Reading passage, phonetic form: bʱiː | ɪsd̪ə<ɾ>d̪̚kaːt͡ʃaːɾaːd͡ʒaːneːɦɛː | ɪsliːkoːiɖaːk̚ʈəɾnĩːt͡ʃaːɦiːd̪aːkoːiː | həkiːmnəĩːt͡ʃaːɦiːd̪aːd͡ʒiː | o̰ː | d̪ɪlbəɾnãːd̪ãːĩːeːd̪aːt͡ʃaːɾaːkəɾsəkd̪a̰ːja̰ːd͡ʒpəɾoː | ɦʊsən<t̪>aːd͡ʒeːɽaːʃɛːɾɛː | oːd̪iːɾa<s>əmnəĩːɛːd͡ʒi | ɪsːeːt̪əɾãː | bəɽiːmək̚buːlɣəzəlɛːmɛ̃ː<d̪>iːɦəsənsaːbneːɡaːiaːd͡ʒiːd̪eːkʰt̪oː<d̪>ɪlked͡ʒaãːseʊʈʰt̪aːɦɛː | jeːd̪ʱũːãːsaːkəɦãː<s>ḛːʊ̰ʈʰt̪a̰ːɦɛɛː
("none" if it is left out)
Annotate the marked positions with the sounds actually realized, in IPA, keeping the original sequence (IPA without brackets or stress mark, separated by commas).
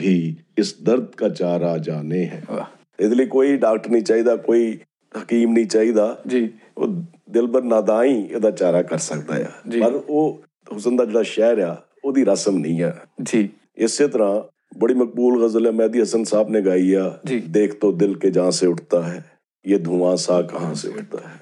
ɾ, d̪, s, d̪, d̪, s